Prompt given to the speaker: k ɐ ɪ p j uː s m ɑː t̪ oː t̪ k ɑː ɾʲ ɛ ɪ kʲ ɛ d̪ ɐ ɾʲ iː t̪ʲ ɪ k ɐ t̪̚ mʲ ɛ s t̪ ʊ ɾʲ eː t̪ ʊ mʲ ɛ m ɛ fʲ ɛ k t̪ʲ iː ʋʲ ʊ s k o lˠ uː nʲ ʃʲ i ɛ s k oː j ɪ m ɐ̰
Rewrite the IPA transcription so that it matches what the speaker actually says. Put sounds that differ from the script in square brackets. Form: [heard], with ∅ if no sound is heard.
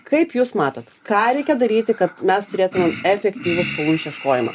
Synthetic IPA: k ɐ ɪ p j uː s m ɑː t̪ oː t̪ k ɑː ɾʲ ɛ ɪ kʲ ɛ d̪ ɐ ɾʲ iː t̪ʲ ɪ k ɐ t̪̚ mʲ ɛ s t̪ ʊ ɾʲ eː t̪ ʊ mʲ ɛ m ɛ fʲ ɛ k t̪ʲ iː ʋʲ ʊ s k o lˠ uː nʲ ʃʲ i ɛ [ʃ] k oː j ɪ m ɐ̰